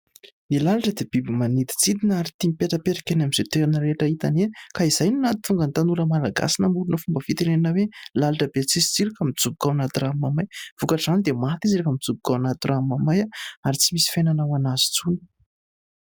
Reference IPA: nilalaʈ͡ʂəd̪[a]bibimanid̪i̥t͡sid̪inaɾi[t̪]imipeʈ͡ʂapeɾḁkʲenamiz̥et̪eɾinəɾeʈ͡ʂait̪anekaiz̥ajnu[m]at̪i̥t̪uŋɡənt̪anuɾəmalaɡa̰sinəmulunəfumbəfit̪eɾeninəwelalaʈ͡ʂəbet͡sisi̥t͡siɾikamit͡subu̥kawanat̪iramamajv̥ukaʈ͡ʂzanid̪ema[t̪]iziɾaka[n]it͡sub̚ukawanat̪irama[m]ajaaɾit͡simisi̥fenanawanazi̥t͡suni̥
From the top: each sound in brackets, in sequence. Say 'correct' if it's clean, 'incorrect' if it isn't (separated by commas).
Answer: incorrect, correct, incorrect, correct, incorrect, correct